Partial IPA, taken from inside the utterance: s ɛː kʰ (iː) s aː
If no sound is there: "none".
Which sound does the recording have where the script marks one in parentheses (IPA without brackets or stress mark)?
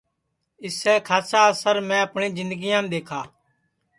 aː